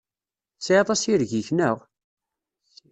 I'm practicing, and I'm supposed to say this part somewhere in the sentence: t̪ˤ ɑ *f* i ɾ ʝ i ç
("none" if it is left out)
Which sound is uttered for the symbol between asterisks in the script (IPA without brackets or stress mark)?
s